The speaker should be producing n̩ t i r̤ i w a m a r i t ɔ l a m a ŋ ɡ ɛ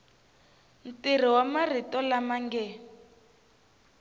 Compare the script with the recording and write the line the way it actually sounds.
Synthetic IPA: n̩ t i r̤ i w a m a r i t ɔ l a m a ŋ ɡ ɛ